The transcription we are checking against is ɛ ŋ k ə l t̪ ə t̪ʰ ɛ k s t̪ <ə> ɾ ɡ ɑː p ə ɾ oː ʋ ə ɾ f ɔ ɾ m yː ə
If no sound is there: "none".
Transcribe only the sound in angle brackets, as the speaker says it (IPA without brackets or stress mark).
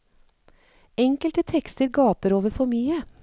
ə